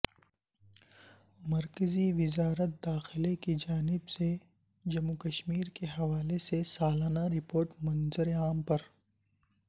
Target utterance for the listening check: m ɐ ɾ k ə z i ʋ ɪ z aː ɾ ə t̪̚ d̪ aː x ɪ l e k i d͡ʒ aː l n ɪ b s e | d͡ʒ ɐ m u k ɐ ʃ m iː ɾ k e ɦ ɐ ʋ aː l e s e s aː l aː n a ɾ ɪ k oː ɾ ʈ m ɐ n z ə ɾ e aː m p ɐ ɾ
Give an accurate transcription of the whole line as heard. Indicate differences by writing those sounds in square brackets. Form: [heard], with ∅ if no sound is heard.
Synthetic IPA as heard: m ɐ ɾ k ə z i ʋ ɪ z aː ɾ ə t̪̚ d̪ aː x ɪ l e k i d͡ʒ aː [∅] n ɪ b s e | d͡ʒ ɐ m u k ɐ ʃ m iː ɾ k e ɦ ɐ ʋ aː l e s e s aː l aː n a ɾ ɪ [p] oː ɾ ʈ m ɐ n z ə ɾ e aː m p ɐ ɾ